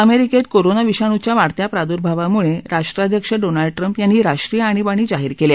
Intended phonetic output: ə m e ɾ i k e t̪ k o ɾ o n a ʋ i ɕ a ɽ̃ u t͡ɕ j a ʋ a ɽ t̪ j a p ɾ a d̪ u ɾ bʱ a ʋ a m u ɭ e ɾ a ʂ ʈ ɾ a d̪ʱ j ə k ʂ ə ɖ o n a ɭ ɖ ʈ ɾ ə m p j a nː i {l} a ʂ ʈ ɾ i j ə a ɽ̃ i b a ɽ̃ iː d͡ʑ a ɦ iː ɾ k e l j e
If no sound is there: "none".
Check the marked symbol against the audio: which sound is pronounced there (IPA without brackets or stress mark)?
ɾ